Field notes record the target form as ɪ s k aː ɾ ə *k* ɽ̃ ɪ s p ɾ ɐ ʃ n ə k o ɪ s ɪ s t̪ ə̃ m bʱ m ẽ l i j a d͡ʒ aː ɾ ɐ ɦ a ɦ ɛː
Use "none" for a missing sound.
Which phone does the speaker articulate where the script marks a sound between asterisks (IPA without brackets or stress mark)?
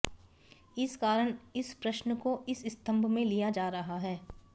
none